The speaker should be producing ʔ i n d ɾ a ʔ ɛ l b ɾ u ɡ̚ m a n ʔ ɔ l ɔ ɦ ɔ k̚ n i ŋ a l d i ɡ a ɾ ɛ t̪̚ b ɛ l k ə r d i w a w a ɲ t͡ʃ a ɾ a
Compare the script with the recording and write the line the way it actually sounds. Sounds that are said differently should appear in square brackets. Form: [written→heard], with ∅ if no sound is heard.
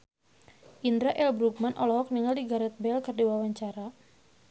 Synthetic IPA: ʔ i n d ɾ a ʔ ɛ l b ɾ u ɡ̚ m a n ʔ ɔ l ɔ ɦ ɔ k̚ n i ŋ a l d i ɡ a ɾ ɛ t̪̚ b ɛ l k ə r d i w a w a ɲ t͡ʃ a ɾ a